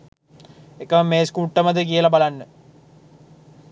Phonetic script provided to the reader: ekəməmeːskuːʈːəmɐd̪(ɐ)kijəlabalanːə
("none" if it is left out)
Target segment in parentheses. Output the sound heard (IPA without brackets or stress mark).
ə